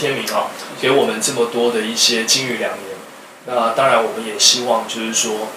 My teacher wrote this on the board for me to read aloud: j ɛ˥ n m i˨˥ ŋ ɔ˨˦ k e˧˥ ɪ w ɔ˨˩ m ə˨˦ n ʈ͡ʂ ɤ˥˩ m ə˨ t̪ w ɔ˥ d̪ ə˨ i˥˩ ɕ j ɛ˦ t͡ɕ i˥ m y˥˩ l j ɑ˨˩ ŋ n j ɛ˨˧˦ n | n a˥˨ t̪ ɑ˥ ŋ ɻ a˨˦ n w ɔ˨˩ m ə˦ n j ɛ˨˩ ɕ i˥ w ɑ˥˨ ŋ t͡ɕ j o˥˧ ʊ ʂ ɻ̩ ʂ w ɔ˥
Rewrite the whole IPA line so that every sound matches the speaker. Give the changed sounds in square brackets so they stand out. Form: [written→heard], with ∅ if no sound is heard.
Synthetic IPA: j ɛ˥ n m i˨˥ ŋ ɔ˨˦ k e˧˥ ɪ w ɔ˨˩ m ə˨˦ n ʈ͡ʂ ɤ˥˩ m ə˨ t̪ w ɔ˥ d̪ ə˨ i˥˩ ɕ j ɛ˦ t͡ɕ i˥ [m→ŋ] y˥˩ l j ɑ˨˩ ŋ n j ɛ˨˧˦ n | n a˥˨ t̪ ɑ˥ ŋ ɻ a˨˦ n w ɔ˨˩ m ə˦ n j ɛ˨˩ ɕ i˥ w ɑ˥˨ ŋ t͡ɕ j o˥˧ ʊ ʂ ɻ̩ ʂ w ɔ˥